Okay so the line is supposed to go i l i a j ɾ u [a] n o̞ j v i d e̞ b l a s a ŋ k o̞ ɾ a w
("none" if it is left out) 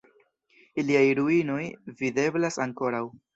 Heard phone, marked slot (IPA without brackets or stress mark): i